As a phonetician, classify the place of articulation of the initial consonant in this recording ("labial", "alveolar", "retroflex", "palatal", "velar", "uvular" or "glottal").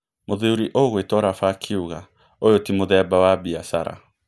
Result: labial